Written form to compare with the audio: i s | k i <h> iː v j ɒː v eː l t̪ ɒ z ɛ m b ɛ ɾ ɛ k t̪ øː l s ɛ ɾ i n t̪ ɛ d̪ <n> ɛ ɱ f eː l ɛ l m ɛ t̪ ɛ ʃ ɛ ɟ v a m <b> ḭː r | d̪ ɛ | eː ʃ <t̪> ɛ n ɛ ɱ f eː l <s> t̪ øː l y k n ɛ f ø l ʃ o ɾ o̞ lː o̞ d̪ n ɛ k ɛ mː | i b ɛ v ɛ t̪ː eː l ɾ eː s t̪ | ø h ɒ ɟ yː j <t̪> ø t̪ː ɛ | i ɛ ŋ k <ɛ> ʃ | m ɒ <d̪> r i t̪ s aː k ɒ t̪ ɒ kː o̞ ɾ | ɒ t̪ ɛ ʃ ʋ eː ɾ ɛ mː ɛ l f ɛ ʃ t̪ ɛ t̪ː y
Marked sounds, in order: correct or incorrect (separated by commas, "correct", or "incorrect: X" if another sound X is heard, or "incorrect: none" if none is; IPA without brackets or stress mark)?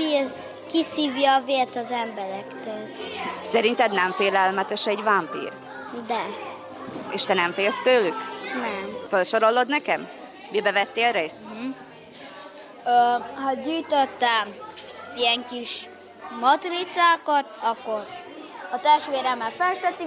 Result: incorrect: s, correct, incorrect: p, correct, correct, correct, incorrect: i, incorrect: t̪